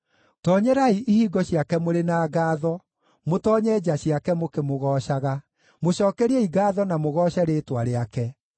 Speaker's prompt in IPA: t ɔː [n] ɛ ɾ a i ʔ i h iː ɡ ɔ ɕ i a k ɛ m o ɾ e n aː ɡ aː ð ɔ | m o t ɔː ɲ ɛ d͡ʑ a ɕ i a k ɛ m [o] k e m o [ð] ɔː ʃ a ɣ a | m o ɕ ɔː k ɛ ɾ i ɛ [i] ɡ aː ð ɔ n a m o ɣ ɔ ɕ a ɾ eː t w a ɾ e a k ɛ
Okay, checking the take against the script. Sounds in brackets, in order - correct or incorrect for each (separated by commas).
incorrect, correct, incorrect, correct